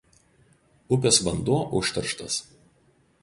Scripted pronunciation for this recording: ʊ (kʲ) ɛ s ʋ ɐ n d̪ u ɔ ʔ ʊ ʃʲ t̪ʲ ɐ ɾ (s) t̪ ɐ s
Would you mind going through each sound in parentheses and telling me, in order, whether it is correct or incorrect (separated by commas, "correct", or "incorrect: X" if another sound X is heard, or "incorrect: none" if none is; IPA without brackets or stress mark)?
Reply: incorrect: pʲ, incorrect: ʃ